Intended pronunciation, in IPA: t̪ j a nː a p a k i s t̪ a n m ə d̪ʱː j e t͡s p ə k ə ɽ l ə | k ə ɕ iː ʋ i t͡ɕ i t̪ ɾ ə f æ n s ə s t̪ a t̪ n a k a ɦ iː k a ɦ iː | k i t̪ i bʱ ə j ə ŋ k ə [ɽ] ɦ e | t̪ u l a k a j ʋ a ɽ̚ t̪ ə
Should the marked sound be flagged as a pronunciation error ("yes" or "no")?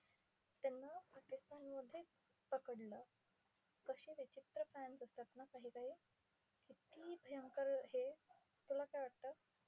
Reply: yes